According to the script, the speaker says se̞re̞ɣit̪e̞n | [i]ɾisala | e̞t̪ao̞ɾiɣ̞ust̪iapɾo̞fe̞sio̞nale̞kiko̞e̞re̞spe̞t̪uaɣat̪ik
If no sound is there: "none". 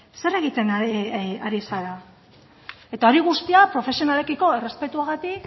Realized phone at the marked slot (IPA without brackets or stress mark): a